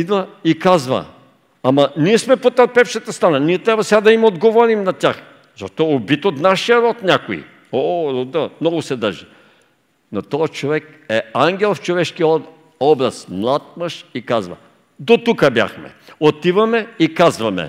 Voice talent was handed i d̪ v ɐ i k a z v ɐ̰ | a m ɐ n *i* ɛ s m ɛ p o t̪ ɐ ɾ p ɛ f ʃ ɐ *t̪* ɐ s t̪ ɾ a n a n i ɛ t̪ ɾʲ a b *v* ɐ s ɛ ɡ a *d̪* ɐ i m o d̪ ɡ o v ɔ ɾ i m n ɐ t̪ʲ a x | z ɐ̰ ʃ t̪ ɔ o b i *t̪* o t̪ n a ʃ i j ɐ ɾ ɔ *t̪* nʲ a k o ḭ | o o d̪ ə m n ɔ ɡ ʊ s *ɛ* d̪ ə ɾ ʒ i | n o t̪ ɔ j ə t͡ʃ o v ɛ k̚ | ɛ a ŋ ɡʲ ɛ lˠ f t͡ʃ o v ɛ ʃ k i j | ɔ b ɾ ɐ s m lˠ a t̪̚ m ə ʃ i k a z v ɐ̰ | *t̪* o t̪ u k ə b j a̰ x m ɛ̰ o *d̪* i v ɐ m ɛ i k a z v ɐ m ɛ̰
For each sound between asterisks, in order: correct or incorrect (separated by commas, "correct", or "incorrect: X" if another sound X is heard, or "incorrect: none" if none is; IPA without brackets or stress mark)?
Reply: correct, correct, correct, correct, correct, correct, correct, incorrect: d̪, incorrect: t̪